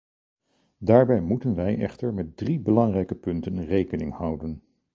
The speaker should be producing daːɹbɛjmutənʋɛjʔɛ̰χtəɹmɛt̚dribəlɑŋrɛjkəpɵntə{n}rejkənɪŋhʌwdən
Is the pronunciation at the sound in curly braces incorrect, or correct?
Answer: correct